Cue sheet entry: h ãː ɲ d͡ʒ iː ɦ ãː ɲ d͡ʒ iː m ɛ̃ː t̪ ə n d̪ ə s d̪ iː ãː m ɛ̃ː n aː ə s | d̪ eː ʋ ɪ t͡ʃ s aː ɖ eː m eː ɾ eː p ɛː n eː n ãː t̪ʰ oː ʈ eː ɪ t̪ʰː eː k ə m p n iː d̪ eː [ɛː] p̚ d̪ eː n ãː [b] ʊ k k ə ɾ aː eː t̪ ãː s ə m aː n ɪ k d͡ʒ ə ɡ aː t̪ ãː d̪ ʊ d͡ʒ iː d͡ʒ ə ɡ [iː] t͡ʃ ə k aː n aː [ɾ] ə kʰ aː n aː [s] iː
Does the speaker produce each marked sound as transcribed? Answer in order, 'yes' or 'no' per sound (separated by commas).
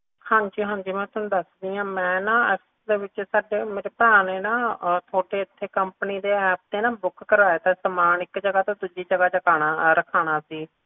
yes, yes, no, yes, yes